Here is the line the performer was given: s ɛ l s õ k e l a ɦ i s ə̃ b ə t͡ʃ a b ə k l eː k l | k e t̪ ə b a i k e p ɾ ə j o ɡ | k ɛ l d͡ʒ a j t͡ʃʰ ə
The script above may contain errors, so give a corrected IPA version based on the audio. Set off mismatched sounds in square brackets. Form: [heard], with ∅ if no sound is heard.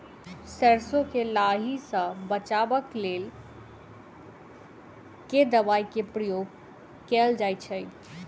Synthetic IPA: s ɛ [ɾ] s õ k e l a ɦ i s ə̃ b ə t͡ʃ a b ə k l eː [∅] l | k e [d̪] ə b a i k e p ɾ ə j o ɡ | k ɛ l d͡ʒ a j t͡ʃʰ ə